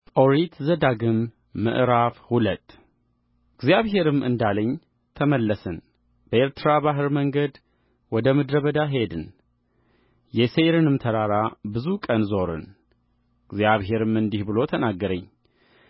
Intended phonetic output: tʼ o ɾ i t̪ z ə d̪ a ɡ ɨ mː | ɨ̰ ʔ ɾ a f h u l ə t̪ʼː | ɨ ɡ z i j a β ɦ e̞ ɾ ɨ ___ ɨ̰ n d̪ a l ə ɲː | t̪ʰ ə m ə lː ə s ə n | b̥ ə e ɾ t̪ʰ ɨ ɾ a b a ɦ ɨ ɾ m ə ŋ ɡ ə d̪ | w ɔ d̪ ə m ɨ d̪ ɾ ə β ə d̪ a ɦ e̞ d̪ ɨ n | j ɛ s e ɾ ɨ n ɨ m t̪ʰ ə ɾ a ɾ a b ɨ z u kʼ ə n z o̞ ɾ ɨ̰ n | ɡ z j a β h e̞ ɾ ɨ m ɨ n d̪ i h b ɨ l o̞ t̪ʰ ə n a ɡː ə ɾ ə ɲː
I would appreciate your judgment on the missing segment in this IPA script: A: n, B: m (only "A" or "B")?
B